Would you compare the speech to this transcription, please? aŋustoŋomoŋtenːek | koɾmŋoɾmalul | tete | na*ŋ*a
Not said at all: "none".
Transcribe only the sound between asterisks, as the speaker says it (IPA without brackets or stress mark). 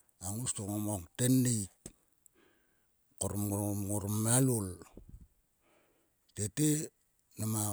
m